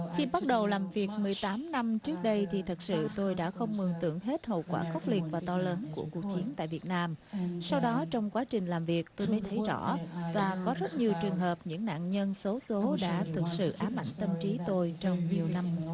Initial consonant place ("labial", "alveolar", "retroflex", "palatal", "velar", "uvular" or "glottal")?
velar